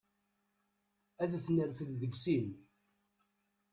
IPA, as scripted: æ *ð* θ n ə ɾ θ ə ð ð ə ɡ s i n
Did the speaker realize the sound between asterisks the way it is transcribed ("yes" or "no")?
yes